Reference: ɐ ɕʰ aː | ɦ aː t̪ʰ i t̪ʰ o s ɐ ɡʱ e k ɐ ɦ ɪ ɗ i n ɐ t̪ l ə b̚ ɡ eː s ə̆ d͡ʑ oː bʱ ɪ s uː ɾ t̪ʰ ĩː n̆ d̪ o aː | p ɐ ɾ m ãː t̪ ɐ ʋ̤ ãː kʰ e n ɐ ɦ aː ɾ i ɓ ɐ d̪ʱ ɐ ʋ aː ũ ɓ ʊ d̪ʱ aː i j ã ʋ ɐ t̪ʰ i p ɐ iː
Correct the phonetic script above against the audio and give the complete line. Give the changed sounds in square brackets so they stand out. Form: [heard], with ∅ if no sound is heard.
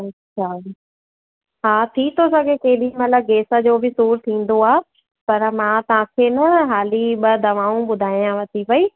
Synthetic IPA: ɐ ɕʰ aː | ɦ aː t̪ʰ i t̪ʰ o s ɐ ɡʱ e k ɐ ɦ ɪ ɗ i [m] ɐ t̪ l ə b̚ ɡ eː s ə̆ d͡ʑ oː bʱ ɪ s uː ɾ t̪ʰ ĩː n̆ d̪ o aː | p ɐ ɾ m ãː t̪ ɐ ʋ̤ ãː kʰ e n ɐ ɦ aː [l] i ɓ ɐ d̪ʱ ɐ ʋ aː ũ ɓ ʊ d̪ʱ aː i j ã ʋ ɐ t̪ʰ i p ɐ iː

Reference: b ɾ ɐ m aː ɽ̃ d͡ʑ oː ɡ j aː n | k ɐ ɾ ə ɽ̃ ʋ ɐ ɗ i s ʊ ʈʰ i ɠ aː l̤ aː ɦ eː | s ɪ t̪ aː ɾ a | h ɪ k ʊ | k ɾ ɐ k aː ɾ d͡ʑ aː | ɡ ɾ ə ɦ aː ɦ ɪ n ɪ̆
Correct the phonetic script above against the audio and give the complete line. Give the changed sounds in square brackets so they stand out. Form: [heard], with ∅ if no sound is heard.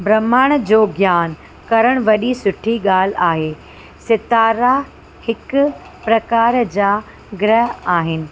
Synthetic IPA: b ɾ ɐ m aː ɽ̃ d͡ʑ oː ɡ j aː n | k ɐ ɾ ə ɽ̃ ʋ ɐ ɗ i s ʊ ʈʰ i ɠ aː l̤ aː ɦ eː | s ɪ t̪ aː ɾ a | h ɪ k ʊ | [p] ɾ ɐ k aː ɾ d͡ʑ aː | ɡ ɾ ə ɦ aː ɦ ɪ n ɪ̆

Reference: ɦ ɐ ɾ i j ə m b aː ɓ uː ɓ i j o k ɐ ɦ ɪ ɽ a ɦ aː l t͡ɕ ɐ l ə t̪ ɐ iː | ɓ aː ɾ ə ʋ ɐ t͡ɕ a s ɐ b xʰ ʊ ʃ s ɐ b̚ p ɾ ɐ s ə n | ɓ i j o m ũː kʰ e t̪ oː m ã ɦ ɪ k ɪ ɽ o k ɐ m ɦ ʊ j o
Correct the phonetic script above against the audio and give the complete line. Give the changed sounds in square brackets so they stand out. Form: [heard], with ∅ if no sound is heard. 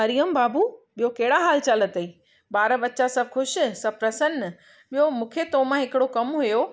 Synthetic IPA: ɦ ɐ ɾ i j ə m b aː [b] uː ɓ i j o k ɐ ɦ ɪ ɽ a ɦ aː l t͡ɕ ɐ l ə t̪ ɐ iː | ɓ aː ɾ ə ʋ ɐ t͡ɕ a s ɐ b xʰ ʊ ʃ s ɐ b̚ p ɾ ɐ s ə n | ɓ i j o m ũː kʰ e t̪ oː m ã ɦ ɪ k ɪ ɽ o k ɐ m ɦ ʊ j o

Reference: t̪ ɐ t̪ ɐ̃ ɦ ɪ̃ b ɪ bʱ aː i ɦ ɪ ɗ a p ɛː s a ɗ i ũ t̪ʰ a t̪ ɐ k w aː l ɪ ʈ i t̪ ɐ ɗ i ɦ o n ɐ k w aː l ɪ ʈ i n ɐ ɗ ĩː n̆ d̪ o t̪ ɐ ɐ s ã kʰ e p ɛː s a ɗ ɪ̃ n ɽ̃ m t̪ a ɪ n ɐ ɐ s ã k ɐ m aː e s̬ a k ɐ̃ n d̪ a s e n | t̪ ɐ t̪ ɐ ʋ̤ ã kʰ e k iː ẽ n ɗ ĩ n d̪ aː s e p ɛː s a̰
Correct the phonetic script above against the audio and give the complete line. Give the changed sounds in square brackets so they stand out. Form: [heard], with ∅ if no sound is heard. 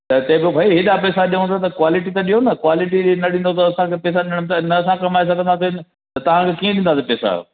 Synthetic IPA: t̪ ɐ t̪ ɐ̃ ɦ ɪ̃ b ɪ bʱ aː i ɦ ɪ ɗ a p ɛː s a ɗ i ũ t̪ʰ a t̪ ɐ k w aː l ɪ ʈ i t̪ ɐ ɗ i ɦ o n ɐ k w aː l ɪ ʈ i n ɐ ɗ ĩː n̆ d̪ o t̪ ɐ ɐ s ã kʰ e p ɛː s a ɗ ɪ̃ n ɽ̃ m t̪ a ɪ n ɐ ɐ s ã k ɐ m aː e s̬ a k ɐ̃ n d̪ a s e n | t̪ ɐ t̪ ɐ ʋ̤ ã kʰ e k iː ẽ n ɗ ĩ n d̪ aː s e p ɛː s a̰

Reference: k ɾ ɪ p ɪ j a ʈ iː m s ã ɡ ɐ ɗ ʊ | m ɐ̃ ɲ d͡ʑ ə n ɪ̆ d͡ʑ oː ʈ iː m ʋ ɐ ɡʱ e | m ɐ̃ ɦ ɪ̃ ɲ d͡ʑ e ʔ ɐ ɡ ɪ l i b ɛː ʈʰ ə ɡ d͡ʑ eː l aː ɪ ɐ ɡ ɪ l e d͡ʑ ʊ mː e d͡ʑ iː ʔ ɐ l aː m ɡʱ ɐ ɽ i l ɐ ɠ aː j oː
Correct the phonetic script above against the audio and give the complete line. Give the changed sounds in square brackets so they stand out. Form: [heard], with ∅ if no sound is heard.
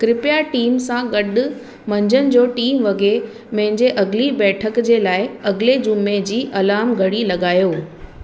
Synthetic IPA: k ɾ ɪ p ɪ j a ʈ iː m s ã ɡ ɐ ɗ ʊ | m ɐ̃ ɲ d͡ʑ ə n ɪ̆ d͡ʑ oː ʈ iː m ʋ ɐ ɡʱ e | m ɐ̃ ɦ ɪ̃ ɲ d͡ʑ e ʔ ɐ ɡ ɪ l i b ɛː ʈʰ ə [k] d͡ʑ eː l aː ɪ ɐ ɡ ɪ l e d͡ʑ ʊ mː e d͡ʑ iː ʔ ɐ l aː m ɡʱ ɐ ɽ i l ɐ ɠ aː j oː

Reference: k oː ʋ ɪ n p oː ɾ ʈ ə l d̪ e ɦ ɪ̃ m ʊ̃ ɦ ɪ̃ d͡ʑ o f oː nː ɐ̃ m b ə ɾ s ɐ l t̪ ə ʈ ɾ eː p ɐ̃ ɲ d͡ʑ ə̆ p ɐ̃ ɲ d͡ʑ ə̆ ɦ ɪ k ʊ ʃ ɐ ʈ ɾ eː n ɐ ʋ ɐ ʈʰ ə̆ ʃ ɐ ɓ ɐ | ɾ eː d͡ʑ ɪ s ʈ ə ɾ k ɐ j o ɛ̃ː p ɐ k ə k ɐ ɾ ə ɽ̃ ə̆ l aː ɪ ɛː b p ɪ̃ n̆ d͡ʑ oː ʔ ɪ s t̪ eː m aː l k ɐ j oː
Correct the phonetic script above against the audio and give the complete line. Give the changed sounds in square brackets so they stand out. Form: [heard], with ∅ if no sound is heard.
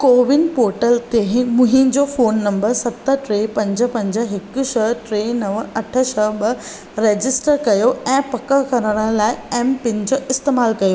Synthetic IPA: k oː ʋ ɪ n p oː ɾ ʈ ə l [t̪] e ɦ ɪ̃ m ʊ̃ ɦ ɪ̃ d͡ʑ o f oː nː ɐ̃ m b ə ɾ s ɐ [∅] t̪ ə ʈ ɾ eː p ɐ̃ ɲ d͡ʑ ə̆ p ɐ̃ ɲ d͡ʑ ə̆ ɦ ɪ k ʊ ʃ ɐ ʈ ɾ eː n ɐ ʋ ɐ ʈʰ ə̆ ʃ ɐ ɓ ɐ | ɾ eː d͡ʑ ɪ s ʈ ə ɾ k ɐ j o ɛ̃ː p ɐ k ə k ɐ ɾ ə ɽ̃ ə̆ l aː ɪ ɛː [m] p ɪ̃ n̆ d͡ʑ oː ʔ ɪ s t̪ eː m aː l k ɐ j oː

